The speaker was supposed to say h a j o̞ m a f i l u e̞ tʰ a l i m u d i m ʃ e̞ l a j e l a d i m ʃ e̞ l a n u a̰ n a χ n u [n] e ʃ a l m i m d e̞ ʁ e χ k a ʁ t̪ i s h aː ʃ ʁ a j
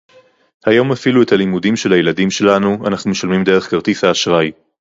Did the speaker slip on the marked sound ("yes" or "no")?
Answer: yes